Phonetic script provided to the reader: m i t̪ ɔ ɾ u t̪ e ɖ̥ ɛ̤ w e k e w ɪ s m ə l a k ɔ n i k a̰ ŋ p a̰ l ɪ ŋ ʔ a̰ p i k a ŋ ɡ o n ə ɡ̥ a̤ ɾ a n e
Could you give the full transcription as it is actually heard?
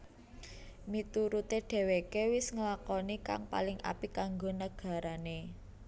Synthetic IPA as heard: m i t̪ u ɾ u t̪ e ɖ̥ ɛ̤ w e k e w ɪ s ŋ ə l a k ɔ n i k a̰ ŋ p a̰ l ɪ ŋ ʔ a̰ p i k a ŋ ɡ o n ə ɡ̥ a̤ ɾ a n e